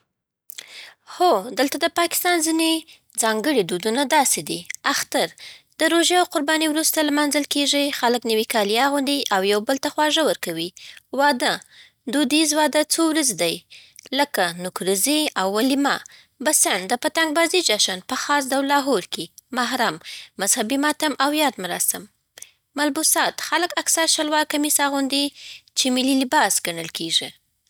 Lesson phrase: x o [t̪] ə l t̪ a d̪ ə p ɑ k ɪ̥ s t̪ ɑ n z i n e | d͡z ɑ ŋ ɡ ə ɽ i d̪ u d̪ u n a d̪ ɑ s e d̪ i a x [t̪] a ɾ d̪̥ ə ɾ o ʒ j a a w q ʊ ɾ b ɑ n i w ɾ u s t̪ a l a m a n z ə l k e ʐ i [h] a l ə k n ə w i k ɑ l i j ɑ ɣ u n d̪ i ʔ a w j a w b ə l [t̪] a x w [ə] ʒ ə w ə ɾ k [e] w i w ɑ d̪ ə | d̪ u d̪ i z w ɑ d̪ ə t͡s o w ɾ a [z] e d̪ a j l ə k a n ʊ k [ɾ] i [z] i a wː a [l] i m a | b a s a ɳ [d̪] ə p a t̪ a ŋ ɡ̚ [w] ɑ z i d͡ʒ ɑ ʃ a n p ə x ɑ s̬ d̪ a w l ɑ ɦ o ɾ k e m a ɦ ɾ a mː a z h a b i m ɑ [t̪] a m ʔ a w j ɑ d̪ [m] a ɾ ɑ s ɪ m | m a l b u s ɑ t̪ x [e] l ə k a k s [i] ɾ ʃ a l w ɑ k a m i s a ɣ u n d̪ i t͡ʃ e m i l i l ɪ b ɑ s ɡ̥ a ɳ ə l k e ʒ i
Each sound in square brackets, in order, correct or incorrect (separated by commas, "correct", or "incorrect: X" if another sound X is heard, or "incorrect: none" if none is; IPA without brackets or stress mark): incorrect: d̪, correct, incorrect: x, correct, incorrect: ɑ, incorrect: a, correct, correct, correct, correct, correct, incorrect: b, correct, correct, incorrect: a, incorrect: a